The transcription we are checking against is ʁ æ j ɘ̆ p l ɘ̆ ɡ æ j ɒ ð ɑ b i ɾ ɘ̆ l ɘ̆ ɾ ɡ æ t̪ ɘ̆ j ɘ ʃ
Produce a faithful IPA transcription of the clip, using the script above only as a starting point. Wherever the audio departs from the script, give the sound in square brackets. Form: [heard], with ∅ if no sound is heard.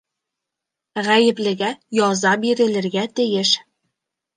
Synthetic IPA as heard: ʁ æ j ɘ̆ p l ɘ̆ ɡ æ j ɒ [z] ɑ b i ɾ ɘ̆ l ɘ̆ ɾ ɡ æ t̪ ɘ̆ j ɘ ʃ